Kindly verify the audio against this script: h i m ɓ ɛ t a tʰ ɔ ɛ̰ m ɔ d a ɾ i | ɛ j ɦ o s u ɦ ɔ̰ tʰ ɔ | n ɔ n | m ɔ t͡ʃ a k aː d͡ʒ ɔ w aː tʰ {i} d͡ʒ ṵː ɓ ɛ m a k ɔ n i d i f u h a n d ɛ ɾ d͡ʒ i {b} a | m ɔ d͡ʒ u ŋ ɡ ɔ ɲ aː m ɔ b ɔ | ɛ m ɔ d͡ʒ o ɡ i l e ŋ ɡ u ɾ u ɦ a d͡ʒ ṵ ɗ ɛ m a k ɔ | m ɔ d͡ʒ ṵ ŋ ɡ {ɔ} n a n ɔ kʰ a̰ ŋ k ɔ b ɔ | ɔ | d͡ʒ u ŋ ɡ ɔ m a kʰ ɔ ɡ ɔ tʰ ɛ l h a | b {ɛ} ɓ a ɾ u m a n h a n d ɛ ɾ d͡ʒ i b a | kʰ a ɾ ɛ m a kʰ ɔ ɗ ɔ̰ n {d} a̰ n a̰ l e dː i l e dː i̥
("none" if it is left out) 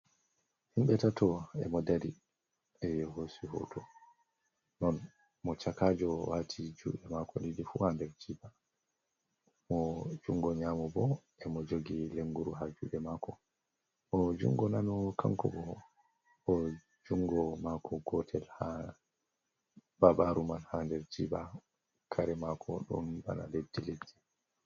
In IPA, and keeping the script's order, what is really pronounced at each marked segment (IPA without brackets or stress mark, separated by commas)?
i, b, ɔ, a, b